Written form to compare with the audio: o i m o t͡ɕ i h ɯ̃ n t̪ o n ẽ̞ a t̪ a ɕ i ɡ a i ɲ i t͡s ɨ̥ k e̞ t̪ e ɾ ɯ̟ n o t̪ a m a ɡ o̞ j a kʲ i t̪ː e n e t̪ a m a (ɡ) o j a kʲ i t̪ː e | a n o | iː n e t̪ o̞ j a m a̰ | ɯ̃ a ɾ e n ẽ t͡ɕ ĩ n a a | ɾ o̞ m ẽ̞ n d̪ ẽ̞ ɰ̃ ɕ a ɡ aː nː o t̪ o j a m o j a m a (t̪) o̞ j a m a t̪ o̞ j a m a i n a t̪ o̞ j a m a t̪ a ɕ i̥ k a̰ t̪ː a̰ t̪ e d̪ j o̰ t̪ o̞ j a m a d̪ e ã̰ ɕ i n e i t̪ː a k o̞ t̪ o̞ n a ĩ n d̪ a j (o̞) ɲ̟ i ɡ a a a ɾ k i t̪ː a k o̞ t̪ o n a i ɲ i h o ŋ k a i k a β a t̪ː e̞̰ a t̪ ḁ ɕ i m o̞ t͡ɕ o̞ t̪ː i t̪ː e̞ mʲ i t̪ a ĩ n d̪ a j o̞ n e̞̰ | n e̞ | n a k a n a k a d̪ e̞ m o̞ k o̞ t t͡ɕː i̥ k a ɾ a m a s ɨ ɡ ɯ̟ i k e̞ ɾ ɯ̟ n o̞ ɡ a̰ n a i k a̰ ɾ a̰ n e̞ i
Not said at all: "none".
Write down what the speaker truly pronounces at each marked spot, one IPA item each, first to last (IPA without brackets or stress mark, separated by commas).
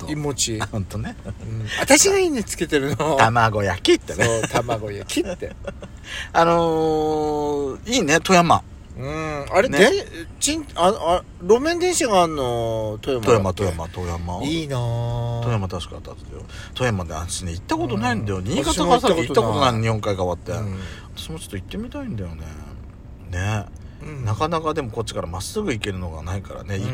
ɡ, t̪, o̞